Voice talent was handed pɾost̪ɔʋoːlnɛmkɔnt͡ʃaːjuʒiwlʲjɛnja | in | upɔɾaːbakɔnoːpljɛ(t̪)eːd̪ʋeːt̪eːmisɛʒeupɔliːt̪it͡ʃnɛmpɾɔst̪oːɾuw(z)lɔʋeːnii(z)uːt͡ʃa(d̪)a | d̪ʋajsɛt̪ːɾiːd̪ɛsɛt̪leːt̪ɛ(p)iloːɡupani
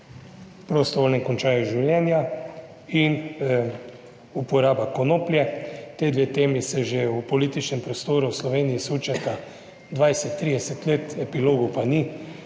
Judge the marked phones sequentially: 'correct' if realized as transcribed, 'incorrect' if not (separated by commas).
correct, incorrect, incorrect, incorrect, correct